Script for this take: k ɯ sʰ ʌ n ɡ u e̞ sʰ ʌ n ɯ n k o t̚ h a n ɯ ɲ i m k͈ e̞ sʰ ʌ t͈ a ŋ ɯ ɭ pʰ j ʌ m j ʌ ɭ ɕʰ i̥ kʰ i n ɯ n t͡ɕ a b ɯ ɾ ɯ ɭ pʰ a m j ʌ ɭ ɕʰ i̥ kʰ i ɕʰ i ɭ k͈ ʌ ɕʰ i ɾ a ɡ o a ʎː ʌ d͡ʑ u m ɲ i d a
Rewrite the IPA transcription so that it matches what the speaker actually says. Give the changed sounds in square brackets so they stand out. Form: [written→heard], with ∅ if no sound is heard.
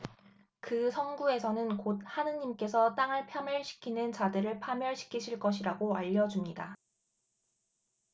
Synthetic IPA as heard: k ɯ sʰ ʌ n ɡ u e̞ sʰ ʌ n ɯ n k o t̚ h a n ɯ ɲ i m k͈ e̞ sʰ ʌ t͈ a ŋ ɯ ɭ pʰ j ʌ m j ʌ ɭ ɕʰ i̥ kʰ i n ɯ n t͡ɕ a [b→d] ɯ ɾ ɯ ɭ pʰ a m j ʌ ɭ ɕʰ i̥ kʰ i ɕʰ i ɭ k͈ ʌ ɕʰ i ɾ a ɡ o a ʎː ʌ d͡ʑ u m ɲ i d a